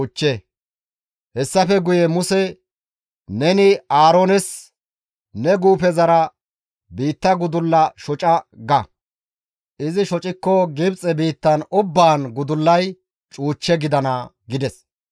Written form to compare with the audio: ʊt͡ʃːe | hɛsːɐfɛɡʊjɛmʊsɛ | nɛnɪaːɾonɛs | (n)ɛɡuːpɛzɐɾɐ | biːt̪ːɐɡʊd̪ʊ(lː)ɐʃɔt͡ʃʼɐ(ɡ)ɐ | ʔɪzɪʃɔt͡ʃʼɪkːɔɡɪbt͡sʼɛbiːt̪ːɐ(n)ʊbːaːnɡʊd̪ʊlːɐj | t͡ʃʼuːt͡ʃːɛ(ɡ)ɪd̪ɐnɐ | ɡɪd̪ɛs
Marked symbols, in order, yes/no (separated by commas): yes, yes, yes, yes, yes